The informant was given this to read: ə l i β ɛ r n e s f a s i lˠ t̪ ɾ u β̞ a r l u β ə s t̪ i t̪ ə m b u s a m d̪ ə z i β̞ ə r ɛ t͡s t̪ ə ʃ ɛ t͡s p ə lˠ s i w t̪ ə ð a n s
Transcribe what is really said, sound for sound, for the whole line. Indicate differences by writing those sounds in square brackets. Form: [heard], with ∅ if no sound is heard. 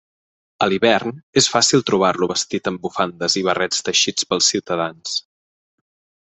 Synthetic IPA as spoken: ə l i β ɛ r n e s f a s i lˠ t̪ ɾ u β̞ a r l u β ə s t̪ i t̪ ə m b u [f] a [n] d̪ ə z i β̞ ə r ɛ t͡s t̪ ə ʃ [i] t͡s p ə lˠ s i w t̪ ə ð a n s